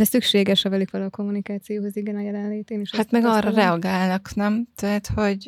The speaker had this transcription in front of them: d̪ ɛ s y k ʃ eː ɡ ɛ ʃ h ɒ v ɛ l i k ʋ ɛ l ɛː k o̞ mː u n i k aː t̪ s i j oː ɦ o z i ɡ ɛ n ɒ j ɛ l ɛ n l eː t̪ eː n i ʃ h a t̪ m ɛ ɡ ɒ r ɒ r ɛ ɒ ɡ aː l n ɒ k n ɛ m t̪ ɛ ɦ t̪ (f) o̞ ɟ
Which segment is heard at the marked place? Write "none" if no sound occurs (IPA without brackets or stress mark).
h